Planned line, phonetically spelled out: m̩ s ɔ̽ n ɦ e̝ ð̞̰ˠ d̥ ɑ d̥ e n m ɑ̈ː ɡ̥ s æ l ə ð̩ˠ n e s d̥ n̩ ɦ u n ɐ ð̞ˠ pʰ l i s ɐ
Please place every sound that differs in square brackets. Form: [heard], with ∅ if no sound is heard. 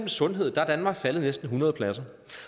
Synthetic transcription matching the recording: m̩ s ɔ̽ n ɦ e̝ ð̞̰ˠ d̥ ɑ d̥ [æ] n m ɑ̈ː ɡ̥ [f] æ l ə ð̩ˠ n e s d̥ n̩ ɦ u n ɐ ð̞ˠ pʰ l [æ] s ɐ

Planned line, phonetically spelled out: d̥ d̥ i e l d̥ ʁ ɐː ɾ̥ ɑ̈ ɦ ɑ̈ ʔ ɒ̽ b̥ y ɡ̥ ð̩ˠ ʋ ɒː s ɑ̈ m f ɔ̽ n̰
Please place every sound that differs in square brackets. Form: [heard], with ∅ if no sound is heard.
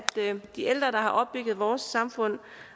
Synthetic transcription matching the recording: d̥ d̥ i e l d̥ ʁ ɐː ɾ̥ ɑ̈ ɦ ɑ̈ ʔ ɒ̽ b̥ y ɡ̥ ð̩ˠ ʋ ɒː s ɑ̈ m f ɔ̽ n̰

